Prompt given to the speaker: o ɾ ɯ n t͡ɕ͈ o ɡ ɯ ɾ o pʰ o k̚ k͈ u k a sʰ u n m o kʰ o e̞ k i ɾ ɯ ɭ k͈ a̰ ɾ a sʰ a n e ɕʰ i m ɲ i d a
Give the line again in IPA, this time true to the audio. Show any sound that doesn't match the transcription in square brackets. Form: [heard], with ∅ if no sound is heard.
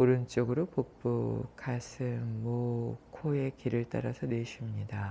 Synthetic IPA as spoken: o ɾ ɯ n t͡ɕ͈ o ɡ ɯ ɾ o [p] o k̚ [p͈] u [kʰ] a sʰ [ɯ] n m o kʰ o e̞ k i ɾ ɯ ɭ [t͈] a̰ ɾ a sʰ [ʌ] n e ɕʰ i m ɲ i d a